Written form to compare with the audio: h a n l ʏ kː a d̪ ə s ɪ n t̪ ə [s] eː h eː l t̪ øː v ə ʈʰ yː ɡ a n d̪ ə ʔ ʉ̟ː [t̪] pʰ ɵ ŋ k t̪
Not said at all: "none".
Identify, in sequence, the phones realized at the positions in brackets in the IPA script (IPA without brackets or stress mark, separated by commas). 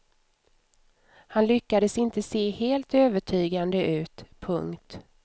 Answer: s, t̪